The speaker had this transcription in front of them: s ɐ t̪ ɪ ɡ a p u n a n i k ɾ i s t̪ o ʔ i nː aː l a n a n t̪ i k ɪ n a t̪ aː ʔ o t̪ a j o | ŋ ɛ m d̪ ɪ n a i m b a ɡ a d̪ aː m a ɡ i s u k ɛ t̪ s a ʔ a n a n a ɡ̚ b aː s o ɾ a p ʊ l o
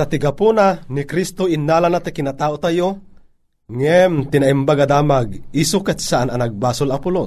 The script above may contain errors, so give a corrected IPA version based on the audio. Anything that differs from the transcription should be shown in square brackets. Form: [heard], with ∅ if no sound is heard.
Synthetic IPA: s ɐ t̪ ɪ ɡ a p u n a n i k ɾ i s t̪ o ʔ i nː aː l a n a [∅] t̪ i k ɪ n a t̪ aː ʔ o t̪ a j o | ŋ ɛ m [t̪] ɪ n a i m b a ɡ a d̪ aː m a ɡ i s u k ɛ t̪ s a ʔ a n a n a ɡ̚ b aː s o [l] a p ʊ l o